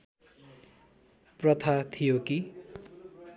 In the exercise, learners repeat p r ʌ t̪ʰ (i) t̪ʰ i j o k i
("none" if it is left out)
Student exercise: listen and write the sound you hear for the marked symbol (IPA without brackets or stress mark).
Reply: a